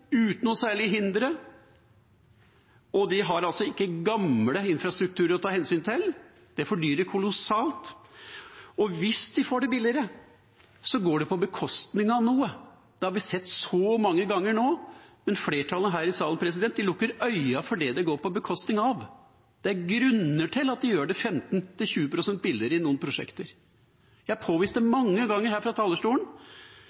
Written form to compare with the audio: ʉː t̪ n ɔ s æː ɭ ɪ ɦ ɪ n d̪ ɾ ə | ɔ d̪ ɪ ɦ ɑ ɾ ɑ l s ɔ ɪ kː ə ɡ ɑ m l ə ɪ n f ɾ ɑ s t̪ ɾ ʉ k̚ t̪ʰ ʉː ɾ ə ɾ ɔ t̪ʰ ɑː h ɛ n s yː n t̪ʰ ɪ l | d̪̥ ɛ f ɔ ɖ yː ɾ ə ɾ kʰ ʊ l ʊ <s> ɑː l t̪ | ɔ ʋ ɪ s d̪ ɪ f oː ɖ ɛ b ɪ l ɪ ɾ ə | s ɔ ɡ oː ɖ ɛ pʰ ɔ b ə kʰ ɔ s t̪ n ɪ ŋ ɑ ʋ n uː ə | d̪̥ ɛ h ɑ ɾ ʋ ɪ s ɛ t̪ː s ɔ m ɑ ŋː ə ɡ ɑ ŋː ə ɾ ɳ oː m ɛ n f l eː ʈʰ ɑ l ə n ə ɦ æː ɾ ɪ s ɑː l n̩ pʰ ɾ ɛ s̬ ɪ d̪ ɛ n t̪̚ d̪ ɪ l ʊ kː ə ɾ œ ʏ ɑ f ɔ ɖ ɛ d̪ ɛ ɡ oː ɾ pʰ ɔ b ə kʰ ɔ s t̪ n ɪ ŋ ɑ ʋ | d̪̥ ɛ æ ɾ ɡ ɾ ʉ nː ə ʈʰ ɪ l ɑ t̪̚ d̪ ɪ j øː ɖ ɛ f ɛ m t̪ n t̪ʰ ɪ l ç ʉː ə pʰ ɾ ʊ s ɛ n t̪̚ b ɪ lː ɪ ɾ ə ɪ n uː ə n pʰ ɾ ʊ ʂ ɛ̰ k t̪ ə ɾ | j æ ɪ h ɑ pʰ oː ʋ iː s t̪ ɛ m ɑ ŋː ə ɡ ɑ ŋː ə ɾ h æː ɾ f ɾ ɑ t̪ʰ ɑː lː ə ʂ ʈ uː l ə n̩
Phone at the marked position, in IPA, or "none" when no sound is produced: s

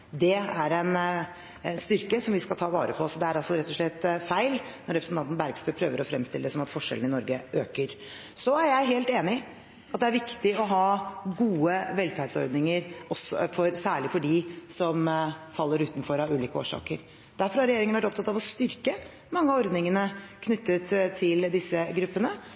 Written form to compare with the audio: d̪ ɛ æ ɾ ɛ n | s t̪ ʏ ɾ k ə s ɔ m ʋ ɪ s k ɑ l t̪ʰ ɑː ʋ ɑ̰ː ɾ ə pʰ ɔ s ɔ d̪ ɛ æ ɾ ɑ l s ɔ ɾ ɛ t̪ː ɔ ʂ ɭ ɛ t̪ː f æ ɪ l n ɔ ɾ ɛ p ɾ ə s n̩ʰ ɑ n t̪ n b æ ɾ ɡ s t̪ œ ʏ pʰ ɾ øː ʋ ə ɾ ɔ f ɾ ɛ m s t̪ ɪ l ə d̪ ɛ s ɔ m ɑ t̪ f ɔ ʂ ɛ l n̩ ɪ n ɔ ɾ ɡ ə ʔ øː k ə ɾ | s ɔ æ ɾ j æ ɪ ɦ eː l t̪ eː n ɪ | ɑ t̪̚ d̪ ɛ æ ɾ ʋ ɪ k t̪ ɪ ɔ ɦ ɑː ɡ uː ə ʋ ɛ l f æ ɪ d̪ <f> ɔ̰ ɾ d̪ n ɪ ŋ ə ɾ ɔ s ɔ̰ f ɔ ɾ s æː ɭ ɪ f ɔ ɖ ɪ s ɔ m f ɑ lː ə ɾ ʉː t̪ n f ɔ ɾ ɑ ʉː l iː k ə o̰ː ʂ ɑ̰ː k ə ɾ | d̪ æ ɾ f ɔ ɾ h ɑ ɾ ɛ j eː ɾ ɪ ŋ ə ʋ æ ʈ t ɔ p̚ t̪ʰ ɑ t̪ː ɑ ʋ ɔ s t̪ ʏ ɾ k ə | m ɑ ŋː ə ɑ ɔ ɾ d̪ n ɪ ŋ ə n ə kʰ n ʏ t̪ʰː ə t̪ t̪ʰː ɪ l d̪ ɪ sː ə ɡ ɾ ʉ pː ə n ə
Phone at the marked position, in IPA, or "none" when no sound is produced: s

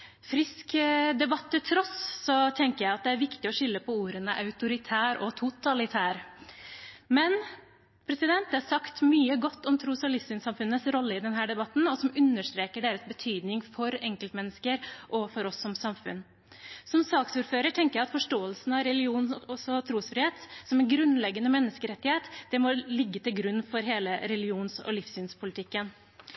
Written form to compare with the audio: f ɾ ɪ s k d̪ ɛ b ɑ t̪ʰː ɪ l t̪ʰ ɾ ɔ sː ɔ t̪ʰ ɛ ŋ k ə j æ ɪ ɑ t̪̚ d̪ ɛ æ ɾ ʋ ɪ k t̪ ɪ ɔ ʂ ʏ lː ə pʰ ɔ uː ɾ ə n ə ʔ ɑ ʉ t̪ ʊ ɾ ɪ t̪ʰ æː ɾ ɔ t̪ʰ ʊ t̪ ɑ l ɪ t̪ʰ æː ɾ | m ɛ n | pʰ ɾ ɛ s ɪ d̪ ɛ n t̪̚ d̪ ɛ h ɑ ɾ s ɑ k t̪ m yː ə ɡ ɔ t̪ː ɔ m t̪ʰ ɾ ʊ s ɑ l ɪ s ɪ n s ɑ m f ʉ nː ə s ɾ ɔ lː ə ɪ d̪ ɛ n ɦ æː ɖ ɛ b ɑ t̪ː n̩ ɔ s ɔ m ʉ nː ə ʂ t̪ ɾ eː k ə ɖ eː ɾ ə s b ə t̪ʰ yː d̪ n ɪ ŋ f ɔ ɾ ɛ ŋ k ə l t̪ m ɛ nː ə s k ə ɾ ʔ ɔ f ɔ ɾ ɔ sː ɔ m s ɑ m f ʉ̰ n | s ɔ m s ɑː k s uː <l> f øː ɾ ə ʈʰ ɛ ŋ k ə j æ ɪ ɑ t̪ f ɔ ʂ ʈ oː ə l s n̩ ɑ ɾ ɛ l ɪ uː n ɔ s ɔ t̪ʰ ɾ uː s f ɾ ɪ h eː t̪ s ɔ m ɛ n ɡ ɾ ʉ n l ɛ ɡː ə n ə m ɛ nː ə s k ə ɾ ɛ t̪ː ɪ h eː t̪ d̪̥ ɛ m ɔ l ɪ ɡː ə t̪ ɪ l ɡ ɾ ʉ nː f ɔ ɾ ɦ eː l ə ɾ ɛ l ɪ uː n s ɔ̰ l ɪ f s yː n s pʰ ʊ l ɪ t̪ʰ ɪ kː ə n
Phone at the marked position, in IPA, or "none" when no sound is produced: ɾ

